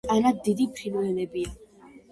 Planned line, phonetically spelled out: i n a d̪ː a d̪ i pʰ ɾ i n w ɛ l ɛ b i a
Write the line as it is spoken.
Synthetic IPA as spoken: a n a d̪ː i d̪ i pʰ ɾ i n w ɛ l ɛ b i a